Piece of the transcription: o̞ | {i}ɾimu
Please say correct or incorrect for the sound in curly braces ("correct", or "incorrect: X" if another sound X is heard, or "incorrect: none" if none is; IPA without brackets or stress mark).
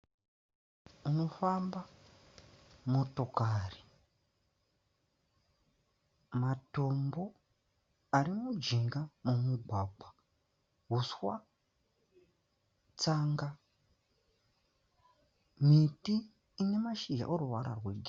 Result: incorrect: a